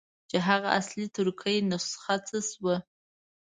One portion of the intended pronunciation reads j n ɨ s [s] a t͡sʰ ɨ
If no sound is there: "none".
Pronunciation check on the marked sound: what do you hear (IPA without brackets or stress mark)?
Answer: χ